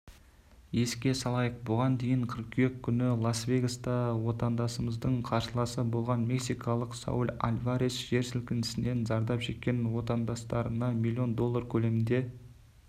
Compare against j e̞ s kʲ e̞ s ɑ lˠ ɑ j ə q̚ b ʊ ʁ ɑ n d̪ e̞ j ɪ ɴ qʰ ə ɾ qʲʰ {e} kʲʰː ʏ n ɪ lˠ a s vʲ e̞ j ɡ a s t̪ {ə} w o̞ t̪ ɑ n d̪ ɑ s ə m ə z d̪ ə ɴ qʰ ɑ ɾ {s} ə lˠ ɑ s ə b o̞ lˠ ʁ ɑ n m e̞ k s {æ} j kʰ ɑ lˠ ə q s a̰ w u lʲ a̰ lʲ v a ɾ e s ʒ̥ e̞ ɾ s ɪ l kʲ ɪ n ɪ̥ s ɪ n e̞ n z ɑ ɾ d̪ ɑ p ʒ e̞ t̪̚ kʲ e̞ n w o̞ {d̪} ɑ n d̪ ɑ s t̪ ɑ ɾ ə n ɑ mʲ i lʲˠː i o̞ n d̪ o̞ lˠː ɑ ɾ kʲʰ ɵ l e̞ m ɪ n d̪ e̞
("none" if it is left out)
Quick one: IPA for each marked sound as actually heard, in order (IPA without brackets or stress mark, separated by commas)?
e, ɑ, ʃ, i, t̪